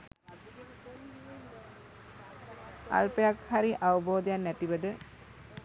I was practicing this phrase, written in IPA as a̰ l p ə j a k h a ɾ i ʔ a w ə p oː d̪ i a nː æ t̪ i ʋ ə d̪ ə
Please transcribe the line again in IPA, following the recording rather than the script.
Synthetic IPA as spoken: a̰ l p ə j a k h a ɾ i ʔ a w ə b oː d̪ j a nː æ t̪ i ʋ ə d̪ ə